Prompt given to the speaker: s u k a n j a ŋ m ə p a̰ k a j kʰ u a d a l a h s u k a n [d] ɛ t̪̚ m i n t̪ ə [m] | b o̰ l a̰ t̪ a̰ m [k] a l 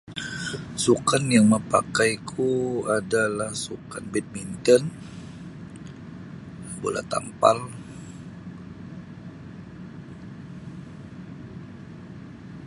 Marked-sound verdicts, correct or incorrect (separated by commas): incorrect, incorrect, incorrect